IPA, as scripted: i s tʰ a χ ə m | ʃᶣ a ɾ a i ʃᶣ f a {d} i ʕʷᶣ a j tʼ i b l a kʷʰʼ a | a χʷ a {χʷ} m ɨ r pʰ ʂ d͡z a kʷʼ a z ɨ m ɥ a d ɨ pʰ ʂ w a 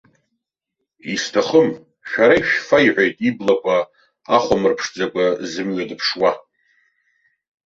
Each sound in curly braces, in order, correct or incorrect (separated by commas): incorrect, incorrect